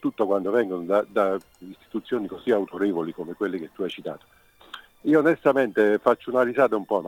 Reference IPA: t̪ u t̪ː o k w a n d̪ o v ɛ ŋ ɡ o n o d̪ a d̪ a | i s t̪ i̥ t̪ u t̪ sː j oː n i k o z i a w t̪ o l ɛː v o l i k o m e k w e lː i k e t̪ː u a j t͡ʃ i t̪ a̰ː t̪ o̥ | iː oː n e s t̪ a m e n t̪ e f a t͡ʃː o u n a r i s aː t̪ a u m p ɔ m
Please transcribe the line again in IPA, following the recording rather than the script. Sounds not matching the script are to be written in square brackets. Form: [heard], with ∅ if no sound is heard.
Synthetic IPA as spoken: t̪ u t̪ː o k w a n d̪ o v ɛ ŋ ɡ o n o d̪ a d̪ a | i s t̪ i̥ t̪ u t̪ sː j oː n i k o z i a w t̪ o [ɾ] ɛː v o l i k o m e k w e lː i k e t̪ː u a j t͡ʃ i t̪ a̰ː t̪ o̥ | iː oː n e s t̪ a m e n t̪ e f a t͡ʃː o u n a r i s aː t̪ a u m p ɔ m